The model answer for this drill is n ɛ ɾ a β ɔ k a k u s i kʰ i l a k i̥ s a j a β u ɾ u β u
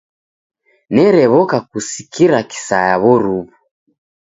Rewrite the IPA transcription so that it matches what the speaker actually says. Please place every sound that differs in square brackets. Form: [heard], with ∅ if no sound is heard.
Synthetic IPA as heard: n ɛ ɾ [ɛ] β ɔ k a k u s i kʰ i [ɾ] a k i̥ s a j a β [ɔ] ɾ u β u